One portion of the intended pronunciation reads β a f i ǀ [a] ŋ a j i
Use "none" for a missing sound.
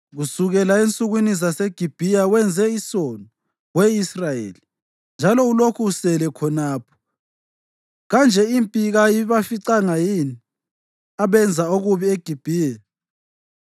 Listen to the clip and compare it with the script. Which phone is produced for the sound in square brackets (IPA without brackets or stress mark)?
a